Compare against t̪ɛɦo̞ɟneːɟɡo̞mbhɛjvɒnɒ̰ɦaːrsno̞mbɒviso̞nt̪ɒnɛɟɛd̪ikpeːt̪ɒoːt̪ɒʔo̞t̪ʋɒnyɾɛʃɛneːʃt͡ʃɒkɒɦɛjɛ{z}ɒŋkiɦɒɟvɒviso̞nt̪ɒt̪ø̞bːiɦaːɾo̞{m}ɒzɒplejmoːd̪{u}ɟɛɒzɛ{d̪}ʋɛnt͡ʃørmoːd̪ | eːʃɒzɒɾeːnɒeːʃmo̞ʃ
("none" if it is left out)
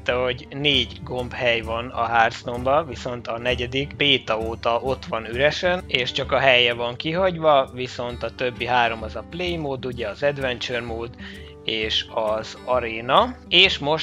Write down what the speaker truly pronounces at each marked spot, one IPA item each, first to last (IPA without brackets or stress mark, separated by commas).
v, m, u, d̪